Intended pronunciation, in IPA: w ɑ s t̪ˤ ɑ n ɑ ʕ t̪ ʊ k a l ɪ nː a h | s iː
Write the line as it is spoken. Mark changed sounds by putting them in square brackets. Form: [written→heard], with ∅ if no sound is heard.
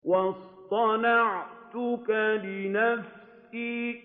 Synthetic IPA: w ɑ s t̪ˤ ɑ n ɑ ʕ t̪ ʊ k a l ɪ [nː→n] a [h→f] | s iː

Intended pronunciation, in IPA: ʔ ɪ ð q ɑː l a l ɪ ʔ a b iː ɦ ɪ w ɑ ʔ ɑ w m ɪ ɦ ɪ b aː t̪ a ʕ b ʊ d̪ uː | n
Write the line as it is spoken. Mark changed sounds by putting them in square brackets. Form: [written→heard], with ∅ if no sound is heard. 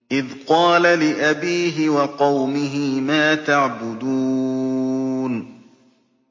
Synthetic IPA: ʔ ɪ ð q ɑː l a l ɪ ʔ a b iː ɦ ɪ w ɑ [ʔ→q] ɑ w m ɪ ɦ ɪ [b→m] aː t̪ a ʕ b ʊ d̪ uː | n

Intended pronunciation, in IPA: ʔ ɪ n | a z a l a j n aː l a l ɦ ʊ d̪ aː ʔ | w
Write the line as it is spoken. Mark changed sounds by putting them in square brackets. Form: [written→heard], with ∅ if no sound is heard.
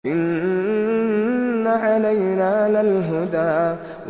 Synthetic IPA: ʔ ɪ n | a [z→ʕ] a l a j n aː l a l ɦ ʊ d̪ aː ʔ | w

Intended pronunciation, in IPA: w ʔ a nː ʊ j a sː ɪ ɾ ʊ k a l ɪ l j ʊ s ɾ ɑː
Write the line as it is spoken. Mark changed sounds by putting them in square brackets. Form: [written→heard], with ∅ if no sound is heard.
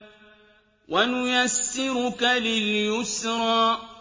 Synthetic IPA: w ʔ a [nː→n] ʊ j a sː ɪ ɾ ʊ k a l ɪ l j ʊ s ɾ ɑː

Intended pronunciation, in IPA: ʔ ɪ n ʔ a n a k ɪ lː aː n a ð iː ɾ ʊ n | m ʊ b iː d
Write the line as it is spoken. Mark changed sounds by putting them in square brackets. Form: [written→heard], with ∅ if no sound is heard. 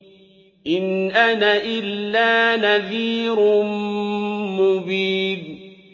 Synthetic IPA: ʔ ɪ n ʔ a n a [k→ʔ] ɪ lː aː n a ð iː ɾ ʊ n | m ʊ b iː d

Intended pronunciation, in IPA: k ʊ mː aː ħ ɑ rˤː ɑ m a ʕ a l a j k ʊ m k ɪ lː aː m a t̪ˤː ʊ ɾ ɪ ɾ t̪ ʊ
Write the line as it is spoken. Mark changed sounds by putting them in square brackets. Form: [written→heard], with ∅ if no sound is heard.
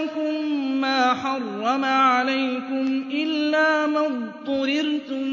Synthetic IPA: k ʊ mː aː ħ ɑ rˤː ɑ m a ʕ a l a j k ʊ m [k→ʔ] ɪ lː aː m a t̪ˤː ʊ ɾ ɪ ɾ t̪ ʊ

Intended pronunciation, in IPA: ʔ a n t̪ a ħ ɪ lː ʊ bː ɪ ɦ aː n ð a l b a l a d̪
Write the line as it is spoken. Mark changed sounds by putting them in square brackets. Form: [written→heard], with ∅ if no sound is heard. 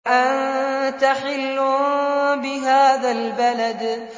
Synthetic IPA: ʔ a n t̪ a ħ ɪ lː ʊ [bː→b] ɪ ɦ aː [n→∅] ð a l b a l a d̪

